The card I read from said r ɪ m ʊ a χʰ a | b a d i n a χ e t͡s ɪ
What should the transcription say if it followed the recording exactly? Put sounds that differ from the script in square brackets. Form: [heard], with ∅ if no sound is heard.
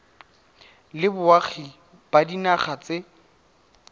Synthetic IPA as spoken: [l] ɪ [b] ʊ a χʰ [i] | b a d i n a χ [a] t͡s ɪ